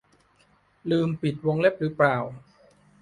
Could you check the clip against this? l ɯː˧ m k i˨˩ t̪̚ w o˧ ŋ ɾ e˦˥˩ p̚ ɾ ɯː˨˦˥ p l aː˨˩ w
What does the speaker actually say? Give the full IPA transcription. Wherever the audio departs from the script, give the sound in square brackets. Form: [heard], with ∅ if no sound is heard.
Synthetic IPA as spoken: l ɯː˧ m [p] i˨˩ t̪̚ w o˧ ŋ [l] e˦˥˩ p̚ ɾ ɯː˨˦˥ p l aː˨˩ w